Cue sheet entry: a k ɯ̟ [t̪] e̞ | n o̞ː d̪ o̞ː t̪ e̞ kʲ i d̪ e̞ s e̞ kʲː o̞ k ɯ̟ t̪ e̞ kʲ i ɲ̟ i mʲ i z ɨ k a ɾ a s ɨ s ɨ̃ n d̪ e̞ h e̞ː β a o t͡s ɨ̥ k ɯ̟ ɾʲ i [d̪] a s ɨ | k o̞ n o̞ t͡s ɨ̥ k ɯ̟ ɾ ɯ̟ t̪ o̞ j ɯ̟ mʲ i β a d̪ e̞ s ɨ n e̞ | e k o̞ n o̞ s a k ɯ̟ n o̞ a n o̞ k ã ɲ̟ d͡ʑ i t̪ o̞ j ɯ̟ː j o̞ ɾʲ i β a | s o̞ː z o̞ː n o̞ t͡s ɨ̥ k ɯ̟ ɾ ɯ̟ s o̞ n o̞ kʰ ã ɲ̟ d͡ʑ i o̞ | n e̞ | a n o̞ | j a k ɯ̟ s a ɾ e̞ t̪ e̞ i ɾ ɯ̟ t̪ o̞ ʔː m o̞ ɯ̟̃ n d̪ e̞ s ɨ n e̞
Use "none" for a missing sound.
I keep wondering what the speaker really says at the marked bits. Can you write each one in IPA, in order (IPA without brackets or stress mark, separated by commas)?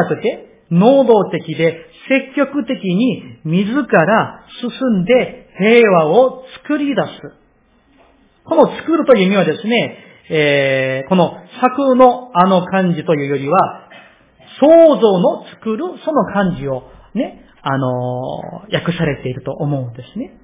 t̪, d̪